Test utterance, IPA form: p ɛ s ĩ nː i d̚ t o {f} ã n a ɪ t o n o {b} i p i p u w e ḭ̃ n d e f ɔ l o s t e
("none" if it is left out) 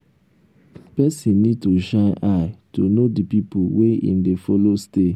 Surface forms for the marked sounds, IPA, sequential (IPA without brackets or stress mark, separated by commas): ʃ, d